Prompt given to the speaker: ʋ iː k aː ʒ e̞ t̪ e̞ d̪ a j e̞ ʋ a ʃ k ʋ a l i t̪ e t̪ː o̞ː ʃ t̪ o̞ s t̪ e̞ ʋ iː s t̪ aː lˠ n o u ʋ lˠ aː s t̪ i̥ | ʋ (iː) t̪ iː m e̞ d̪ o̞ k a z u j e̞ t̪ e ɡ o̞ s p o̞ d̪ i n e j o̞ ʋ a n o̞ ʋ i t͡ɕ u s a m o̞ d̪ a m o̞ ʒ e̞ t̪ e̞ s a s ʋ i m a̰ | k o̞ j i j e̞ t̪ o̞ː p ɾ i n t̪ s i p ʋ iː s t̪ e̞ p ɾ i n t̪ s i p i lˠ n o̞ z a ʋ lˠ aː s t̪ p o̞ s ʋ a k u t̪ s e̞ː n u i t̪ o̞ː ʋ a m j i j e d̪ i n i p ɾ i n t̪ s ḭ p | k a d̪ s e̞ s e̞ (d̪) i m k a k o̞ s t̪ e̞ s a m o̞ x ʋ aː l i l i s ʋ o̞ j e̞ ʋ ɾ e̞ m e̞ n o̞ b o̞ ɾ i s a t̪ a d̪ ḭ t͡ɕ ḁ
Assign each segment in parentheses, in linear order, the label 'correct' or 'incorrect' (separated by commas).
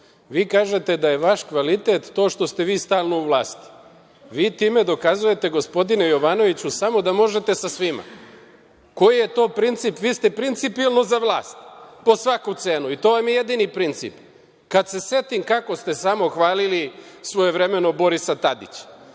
correct, incorrect